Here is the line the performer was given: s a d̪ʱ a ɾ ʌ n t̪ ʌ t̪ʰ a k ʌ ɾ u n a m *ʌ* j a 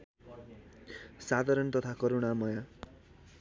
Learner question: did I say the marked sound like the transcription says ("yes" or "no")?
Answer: yes